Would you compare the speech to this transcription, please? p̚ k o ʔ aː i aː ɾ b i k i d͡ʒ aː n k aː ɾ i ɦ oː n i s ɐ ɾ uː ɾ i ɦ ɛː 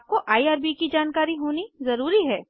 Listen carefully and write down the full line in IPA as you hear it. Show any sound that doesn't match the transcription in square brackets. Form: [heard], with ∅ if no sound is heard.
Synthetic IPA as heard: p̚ k o ʔ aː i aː ɾ b i k i d͡ʒ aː n k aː ɾ i ɦ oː n i [z] ɐ ɾ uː ɾ i ɦ ɛː